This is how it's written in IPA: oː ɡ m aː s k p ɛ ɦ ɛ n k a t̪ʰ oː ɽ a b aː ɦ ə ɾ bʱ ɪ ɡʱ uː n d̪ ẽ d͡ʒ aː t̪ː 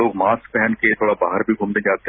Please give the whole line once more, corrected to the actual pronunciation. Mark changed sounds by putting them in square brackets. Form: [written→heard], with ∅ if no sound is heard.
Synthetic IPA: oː ɡ m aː s k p ɛ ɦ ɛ n k [a→e] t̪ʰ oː ɽ a b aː ɦ ə ɾ bʱ [ɪ→i] ɡʱ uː [n→m] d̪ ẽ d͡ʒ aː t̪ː